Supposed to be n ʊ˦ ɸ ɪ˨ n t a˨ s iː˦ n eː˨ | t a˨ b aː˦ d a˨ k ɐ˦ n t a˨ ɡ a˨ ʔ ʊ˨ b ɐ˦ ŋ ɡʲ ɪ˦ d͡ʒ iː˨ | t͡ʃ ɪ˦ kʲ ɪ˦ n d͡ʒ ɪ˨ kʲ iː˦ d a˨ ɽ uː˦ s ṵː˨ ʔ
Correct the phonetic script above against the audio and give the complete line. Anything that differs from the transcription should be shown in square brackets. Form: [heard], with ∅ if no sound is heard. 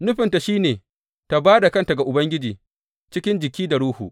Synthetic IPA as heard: n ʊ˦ ɸ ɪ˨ n t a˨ [ʃ] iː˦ n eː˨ | t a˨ b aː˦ d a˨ k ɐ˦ n t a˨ ɡ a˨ ʔ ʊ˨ b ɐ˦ ŋ ɡʲ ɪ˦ d͡ʒ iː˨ | t͡ʃ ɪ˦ kʲ ɪ˦ n d͡ʒ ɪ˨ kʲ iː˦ d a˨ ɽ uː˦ [h] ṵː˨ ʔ